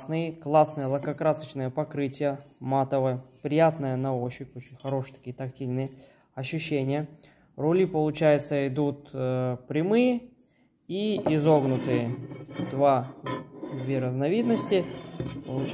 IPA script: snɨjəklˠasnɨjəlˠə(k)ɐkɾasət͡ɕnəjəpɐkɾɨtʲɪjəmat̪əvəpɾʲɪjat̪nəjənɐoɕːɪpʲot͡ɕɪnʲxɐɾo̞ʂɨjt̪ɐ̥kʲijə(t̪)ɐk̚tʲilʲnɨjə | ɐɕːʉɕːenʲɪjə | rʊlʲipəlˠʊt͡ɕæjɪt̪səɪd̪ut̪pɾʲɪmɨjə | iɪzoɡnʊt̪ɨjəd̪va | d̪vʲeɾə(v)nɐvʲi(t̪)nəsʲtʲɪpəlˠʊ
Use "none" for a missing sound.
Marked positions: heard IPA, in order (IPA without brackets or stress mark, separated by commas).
k, t̪, z, d̪